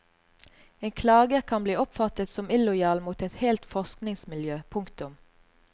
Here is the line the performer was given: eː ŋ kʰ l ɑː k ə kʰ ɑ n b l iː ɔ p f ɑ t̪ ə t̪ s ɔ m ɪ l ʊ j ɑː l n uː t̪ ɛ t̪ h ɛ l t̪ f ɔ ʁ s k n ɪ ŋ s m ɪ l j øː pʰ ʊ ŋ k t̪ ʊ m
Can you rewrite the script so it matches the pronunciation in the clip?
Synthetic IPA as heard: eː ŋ kʰ l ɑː ɡ ə kʰ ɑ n b l iː ɔ p f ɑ t̪ ə t̪ s ɔ m ɪ l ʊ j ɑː l m uː t̪ ɛ t̪ h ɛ l t̪ f ɔ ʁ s k n ɪ ŋ s m ɪ l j øː pʰ ʊ ŋ k t̪ ʊ m